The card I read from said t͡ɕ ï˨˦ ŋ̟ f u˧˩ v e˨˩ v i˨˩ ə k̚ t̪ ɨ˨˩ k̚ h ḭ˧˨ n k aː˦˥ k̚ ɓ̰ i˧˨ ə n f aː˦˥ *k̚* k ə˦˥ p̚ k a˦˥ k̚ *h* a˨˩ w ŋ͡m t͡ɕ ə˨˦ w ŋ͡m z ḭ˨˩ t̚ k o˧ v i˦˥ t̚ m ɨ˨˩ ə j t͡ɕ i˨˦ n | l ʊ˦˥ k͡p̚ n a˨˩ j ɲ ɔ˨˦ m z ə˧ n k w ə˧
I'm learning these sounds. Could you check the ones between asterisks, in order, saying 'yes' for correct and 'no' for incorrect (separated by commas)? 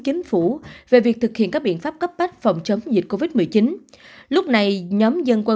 no, no